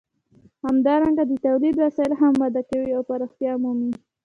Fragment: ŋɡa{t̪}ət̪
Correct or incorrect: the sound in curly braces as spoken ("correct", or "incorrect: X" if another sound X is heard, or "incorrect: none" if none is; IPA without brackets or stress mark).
incorrect: d̪